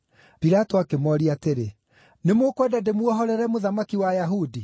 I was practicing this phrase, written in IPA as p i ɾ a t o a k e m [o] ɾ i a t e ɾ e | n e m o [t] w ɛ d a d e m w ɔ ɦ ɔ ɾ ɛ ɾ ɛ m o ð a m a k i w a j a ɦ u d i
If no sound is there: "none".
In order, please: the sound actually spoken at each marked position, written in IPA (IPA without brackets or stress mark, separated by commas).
ɔ, k